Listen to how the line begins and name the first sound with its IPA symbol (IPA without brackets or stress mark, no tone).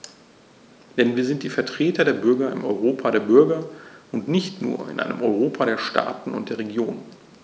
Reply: d̥